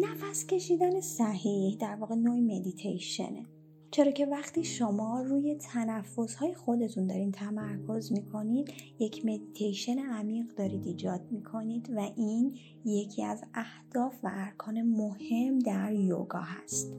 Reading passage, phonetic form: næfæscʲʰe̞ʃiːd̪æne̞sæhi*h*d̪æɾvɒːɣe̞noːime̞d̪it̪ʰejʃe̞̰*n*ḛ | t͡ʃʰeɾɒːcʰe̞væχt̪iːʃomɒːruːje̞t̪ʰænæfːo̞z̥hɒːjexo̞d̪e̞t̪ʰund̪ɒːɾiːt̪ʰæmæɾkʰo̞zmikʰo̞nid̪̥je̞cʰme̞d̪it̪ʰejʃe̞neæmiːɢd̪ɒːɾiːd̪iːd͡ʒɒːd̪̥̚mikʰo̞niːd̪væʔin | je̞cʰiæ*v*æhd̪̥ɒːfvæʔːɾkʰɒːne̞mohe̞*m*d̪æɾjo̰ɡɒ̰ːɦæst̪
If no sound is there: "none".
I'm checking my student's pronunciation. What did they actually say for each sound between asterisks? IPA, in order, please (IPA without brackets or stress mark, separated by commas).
h, n, z, m